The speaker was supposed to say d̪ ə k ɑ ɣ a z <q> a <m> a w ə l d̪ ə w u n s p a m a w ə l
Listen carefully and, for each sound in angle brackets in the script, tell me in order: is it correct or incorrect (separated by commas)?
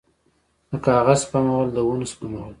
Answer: incorrect, correct